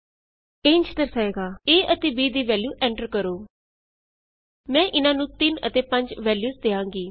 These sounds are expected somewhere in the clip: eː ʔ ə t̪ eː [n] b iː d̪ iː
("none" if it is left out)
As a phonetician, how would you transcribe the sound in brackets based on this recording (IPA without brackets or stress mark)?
none